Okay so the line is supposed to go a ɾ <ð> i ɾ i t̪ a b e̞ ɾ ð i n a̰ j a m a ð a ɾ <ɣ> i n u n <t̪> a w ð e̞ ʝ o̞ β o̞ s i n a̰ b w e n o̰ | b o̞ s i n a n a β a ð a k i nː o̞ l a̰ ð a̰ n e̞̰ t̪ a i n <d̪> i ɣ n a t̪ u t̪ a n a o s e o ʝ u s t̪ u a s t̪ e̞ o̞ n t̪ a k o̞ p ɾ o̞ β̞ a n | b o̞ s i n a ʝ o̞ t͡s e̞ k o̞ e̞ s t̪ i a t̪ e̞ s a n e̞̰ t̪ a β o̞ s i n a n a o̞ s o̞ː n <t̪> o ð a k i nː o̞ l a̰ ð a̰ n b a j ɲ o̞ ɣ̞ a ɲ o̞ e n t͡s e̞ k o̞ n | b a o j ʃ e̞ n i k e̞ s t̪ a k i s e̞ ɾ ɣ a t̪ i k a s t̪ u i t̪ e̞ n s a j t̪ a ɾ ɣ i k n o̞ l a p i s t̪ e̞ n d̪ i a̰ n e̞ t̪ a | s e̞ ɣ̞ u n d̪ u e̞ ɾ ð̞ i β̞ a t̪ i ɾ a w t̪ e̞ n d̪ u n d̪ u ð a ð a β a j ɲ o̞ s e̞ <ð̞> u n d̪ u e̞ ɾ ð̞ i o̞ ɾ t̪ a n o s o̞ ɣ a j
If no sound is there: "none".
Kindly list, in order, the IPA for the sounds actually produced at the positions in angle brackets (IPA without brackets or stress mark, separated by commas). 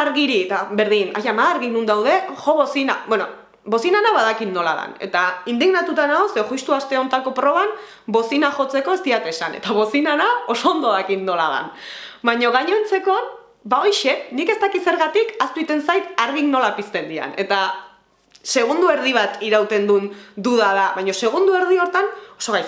ɣ, ɣ, d̪, d̪, d̪, ɣ̞